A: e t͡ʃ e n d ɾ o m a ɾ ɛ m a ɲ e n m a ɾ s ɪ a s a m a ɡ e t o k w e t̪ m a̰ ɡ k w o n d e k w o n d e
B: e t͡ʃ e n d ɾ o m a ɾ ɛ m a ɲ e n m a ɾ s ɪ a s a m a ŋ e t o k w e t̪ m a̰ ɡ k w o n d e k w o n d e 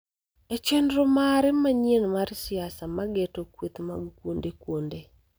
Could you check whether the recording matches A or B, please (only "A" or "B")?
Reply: A